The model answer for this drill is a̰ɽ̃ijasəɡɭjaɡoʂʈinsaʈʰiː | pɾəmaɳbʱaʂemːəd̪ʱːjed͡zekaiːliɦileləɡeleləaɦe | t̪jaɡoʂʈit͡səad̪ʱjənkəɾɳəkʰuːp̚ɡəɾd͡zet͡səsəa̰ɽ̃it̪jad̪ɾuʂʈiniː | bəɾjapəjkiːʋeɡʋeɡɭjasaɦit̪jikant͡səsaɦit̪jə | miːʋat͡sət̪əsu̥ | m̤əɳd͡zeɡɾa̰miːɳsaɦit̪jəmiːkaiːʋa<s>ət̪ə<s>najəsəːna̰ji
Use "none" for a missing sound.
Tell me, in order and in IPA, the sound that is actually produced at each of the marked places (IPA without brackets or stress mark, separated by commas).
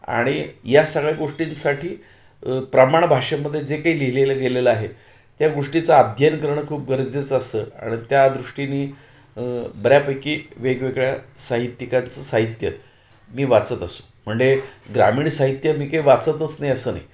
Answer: t͡s, t͡s